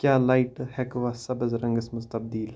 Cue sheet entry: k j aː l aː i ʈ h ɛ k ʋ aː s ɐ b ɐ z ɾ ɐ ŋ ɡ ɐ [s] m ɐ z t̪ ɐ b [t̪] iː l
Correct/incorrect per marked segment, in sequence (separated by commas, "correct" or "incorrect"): correct, incorrect